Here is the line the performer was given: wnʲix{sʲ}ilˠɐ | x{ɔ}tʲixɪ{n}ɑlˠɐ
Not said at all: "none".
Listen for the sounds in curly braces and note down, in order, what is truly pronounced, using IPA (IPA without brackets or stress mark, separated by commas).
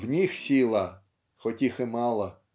sʲ, ɔ, m